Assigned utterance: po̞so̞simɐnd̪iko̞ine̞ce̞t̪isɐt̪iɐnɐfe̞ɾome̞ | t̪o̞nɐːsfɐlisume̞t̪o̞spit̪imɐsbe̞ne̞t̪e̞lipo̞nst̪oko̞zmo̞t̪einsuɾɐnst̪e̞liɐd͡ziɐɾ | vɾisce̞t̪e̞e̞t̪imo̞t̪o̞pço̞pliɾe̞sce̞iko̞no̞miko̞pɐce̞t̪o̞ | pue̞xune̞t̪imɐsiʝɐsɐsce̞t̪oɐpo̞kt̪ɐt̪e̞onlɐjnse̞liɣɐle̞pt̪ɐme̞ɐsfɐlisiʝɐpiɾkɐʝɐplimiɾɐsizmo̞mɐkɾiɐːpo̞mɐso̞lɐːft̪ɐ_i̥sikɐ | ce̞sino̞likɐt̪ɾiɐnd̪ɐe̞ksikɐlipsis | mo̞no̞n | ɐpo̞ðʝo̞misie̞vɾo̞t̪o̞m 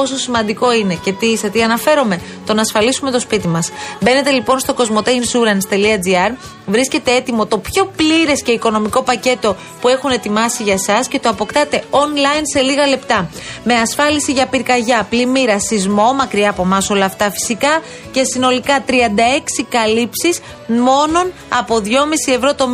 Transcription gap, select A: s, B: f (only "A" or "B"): B